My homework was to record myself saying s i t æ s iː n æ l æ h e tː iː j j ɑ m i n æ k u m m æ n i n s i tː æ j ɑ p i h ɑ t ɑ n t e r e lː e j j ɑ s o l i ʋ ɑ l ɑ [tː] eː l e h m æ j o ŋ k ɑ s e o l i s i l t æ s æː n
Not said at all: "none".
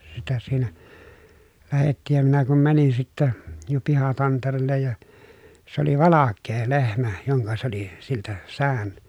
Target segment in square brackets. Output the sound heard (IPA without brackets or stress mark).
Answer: kː